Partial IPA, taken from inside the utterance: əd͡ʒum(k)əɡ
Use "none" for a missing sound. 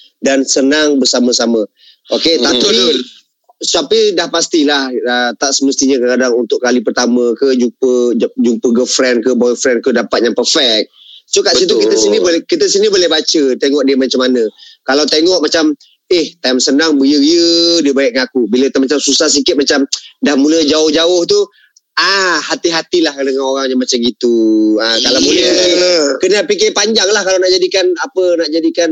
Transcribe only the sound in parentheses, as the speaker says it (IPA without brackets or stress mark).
p